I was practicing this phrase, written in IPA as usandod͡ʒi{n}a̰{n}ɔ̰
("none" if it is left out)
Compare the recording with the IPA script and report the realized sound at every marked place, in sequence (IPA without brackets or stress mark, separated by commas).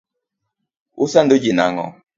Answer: n, ŋ